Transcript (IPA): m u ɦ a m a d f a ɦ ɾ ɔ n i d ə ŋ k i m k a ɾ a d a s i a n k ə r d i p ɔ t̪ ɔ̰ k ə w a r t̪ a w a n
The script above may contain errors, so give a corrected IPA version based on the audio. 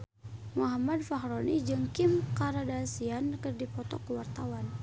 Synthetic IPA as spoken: m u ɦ a m a d f a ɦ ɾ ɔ n i d͡ʒ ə ŋ k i m k a ɾ a d a s i a n k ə r d i p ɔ t̪ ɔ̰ k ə w a r t̪ a w a n